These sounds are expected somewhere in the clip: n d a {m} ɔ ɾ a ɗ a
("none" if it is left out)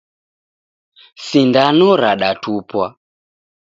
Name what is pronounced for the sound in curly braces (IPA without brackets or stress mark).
n